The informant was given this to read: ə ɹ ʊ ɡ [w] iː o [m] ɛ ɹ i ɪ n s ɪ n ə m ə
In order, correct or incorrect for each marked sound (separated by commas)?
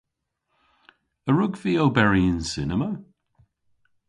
incorrect, incorrect